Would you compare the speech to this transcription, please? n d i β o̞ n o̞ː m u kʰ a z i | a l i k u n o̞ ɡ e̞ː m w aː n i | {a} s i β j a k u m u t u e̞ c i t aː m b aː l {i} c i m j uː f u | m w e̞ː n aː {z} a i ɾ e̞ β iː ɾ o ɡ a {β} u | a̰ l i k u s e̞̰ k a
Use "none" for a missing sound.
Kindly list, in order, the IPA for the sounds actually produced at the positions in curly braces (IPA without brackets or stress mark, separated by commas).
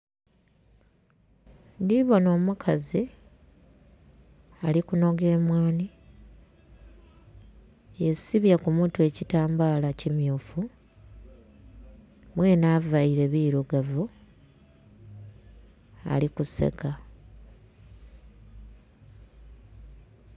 e, a, v, v